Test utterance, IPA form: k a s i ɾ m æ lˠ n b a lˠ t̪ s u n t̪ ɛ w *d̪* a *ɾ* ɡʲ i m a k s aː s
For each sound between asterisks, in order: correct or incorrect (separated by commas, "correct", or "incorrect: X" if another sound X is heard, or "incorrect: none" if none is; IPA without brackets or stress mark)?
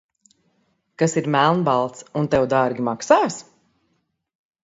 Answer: correct, correct